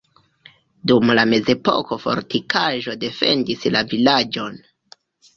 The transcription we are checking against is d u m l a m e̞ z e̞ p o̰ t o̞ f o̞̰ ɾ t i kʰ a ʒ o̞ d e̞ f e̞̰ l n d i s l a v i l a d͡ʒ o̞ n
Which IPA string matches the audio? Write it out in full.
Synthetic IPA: d u m l a m e̞ z e̞ p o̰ k o̞ f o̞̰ ɾ t i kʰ a ʒ o̞ d e̞ f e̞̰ n d i s l a v i l a d͡ʒ o̞ n